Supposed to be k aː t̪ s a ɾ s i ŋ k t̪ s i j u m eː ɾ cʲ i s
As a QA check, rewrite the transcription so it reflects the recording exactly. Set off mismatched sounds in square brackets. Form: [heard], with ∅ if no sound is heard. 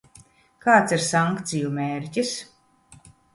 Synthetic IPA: k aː t̪ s [i] ɾ s [a] ŋ k t̪ s i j u m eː ɾ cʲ i s